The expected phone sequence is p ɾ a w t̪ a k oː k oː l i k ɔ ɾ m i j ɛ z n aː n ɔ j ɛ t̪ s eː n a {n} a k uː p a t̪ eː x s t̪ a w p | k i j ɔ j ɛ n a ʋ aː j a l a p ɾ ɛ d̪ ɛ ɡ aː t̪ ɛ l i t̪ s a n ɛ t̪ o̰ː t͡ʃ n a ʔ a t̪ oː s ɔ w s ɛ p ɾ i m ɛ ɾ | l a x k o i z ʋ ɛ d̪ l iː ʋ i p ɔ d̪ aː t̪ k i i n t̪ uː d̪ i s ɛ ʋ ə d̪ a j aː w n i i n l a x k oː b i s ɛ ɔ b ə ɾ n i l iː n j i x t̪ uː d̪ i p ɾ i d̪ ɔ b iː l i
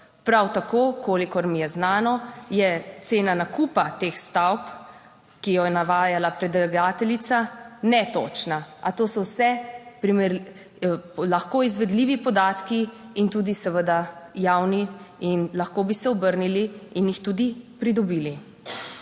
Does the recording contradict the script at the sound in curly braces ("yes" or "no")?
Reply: no